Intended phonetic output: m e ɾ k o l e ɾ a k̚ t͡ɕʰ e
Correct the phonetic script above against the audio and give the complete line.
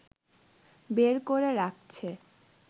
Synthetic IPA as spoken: b e ɾ k o ɾ e ɾ a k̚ t͡ɕʰ e